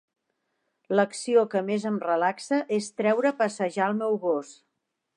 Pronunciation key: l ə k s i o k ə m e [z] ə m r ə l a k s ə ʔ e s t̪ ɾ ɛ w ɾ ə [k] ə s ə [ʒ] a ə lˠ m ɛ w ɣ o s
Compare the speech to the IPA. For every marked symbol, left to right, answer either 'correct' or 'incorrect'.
correct, incorrect: p, correct

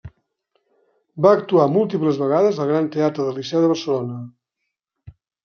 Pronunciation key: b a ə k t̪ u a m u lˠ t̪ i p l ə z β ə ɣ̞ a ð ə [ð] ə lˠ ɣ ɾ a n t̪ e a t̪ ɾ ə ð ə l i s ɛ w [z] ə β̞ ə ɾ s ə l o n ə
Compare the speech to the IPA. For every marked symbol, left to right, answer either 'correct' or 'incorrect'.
incorrect: z, incorrect: ð

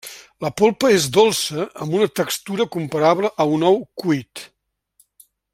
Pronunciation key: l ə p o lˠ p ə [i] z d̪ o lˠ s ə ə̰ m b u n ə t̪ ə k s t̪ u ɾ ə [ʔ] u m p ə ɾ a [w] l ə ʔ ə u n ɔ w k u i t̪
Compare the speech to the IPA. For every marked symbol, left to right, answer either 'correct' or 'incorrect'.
incorrect: e, incorrect: k, incorrect: β

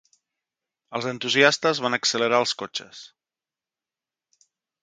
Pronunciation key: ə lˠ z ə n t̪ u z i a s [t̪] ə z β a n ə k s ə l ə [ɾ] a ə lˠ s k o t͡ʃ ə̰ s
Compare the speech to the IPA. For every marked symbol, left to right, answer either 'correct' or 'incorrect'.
correct, correct

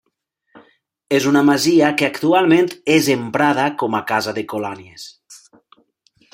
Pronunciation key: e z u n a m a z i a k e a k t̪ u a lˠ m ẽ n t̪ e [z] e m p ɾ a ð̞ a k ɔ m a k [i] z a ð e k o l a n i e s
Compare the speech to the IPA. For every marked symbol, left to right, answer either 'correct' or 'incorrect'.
correct, incorrect: a

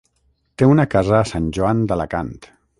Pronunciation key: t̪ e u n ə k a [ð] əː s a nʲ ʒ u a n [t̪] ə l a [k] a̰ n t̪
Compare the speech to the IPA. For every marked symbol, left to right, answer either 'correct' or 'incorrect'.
incorrect: z, incorrect: d̪, correct

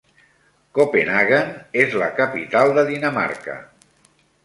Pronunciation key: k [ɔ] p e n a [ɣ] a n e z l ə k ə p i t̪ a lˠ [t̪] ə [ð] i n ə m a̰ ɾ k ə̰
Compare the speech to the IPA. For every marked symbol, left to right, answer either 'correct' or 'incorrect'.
incorrect: o, correct, incorrect: d̪, correct

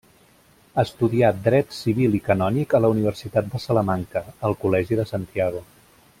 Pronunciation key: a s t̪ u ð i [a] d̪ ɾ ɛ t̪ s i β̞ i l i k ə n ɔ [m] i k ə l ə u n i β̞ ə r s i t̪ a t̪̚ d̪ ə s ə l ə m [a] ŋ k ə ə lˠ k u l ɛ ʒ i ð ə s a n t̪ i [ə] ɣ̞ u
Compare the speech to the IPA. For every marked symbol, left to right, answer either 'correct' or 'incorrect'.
correct, incorrect: n, correct, incorrect: a

